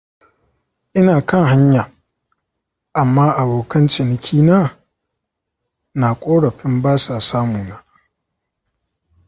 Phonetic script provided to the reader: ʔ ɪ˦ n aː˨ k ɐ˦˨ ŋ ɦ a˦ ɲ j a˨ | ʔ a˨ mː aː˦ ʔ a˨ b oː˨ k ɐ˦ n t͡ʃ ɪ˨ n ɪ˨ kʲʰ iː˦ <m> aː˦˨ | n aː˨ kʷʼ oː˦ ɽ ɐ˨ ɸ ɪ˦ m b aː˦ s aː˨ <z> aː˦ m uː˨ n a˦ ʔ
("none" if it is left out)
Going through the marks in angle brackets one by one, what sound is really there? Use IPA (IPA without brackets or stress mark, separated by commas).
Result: n, s